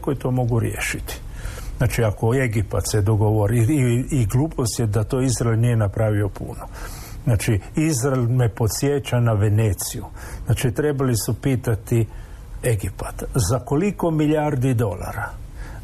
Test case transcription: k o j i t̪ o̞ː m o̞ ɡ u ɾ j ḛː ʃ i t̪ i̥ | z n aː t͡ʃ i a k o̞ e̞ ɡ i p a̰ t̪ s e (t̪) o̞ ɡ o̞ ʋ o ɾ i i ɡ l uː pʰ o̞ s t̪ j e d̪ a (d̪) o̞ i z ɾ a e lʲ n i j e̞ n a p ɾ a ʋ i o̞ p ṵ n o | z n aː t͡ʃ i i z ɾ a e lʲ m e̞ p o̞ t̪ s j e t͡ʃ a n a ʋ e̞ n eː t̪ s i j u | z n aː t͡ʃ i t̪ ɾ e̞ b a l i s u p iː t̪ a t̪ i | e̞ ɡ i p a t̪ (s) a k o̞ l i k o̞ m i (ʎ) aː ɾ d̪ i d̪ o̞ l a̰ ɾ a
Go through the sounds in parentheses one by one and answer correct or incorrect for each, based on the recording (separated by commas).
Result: incorrect, incorrect, incorrect, correct